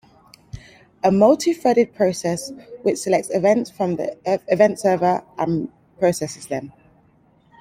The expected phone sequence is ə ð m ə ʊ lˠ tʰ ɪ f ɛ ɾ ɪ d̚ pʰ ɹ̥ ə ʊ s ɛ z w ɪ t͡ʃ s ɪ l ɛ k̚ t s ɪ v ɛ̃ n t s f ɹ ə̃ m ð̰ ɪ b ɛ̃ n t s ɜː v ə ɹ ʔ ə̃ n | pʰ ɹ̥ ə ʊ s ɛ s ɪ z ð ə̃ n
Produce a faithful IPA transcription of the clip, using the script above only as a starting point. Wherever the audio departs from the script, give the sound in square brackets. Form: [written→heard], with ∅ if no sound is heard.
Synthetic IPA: ə [ð→∅] m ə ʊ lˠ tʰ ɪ f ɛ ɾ ɪ d̚ pʰ ɹ̥ ə ʊ s ɛ [z→s] w ɪ t͡ʃ s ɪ l ɛ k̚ t s ɪ v ɛ̃ n t s f ɹ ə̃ m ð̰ ɪ [b→v] ɛ̃ n t s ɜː v ə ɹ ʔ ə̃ n | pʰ ɹ̥ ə ʊ s ɛ s ɪ z ð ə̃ n